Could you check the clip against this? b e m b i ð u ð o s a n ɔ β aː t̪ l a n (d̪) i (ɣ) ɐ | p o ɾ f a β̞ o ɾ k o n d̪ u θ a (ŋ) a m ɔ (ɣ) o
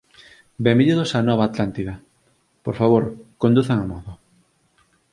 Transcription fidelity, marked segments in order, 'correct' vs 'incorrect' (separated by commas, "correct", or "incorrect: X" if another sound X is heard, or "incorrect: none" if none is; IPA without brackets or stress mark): incorrect: t̪, incorrect: ð, correct, incorrect: ð